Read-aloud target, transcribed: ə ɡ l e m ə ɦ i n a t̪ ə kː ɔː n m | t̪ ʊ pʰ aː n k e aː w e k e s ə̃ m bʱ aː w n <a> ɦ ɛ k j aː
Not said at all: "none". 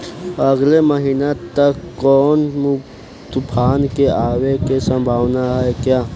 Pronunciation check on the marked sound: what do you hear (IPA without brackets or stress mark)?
a